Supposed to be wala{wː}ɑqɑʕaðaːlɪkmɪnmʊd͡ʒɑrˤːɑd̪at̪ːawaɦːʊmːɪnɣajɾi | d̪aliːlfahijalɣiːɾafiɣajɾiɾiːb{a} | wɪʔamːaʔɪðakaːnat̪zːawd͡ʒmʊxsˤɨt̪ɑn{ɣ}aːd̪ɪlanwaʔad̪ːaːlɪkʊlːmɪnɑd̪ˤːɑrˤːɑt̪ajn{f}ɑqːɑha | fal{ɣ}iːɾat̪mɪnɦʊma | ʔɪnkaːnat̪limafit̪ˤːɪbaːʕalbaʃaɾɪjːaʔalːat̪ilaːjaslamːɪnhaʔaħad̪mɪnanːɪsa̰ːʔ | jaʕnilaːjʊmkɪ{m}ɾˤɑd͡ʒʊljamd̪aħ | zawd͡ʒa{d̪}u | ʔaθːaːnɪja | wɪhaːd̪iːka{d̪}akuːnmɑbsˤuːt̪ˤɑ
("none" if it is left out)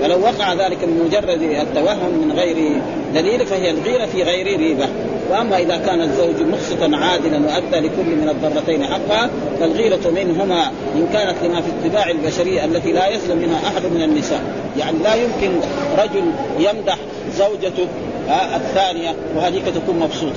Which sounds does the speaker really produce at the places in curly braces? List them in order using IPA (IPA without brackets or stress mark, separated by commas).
wː, a, ʕ, ħ, ɣ, n, t̪, t̪